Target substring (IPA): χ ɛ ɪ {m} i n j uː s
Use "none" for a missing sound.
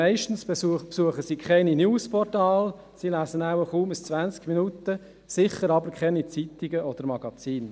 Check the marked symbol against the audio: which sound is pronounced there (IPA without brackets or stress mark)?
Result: n